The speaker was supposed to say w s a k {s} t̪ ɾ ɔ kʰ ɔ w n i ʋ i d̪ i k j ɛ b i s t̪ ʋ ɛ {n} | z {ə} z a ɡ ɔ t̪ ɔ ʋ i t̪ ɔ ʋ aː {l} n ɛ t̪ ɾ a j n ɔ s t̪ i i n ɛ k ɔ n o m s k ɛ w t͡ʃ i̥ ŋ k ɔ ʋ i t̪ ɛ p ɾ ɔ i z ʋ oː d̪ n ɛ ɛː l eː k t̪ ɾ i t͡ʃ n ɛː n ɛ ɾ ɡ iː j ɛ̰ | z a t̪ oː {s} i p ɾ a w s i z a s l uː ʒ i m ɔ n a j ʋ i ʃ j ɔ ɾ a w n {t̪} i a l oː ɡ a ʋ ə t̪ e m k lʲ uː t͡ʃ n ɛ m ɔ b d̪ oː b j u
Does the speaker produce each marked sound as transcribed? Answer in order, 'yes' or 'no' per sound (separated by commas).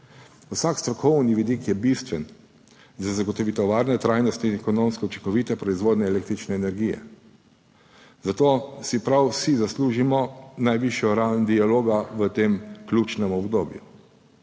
yes, yes, no, no, yes, no